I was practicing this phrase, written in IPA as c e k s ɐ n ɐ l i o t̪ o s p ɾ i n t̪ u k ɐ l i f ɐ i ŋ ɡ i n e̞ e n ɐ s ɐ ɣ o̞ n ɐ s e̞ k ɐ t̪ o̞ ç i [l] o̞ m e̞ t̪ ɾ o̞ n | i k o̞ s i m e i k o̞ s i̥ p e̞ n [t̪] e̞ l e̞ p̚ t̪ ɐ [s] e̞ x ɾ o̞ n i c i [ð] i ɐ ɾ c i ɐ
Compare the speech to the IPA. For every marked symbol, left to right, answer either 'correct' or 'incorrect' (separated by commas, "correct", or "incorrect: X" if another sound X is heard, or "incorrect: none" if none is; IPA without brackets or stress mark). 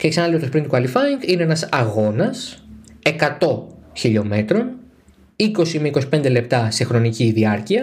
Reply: incorrect: ʎ, incorrect: d̪, correct, correct